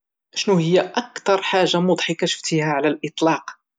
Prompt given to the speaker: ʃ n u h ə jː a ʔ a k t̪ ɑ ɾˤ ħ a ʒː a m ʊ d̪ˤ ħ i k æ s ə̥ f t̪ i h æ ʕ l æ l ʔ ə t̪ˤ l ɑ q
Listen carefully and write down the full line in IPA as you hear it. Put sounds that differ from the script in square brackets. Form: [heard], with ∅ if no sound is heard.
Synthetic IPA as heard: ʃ n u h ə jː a ʔ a k t̪ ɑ ɾˤ ħ a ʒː a m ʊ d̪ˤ ħ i k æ [ʃ] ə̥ f t̪ i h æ ʕ l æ l ʔ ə t̪ˤ l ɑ q